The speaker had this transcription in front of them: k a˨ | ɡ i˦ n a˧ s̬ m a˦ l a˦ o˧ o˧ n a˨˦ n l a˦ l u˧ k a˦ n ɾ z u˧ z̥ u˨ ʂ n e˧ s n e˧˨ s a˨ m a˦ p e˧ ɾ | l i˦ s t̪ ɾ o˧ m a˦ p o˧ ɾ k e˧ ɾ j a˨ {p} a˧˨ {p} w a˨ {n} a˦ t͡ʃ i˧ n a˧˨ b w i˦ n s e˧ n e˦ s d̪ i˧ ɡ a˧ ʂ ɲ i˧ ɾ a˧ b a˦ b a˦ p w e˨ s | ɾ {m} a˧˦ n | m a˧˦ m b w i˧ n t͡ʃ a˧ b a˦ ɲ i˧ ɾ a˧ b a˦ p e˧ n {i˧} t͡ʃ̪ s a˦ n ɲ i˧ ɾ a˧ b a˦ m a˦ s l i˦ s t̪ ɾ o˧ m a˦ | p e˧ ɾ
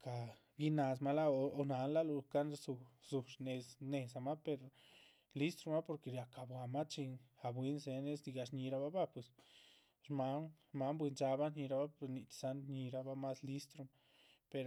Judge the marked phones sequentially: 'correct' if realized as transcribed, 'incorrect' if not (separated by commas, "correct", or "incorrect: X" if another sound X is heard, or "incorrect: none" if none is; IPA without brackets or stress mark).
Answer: incorrect: k, incorrect: b, incorrect: m, correct, correct